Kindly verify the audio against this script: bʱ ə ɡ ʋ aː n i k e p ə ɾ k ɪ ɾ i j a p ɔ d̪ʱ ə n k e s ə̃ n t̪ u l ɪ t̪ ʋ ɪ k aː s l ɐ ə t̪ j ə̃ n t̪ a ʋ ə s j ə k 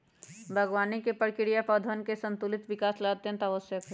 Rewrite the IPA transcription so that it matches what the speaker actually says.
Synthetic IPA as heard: bʱ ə ɡ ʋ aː n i k e p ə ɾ k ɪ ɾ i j a p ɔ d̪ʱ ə n k e s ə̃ n t̪ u l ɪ t̪ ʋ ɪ k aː s l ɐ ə t̪ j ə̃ n t̪ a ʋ ə s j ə k